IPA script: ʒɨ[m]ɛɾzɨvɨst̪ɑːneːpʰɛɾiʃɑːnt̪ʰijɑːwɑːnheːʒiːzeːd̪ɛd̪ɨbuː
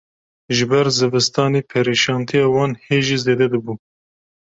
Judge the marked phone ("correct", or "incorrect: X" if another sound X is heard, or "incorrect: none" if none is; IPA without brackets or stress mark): incorrect: b